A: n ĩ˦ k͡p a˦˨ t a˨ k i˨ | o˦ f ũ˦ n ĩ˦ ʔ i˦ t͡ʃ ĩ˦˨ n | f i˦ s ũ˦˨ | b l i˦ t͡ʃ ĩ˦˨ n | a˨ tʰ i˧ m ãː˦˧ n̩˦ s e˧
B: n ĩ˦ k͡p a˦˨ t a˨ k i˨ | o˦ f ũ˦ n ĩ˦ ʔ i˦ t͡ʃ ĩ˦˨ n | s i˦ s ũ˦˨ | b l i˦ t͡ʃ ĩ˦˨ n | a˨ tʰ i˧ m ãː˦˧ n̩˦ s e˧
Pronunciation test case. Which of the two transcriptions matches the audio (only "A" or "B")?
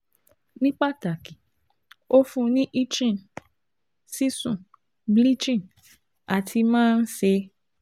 B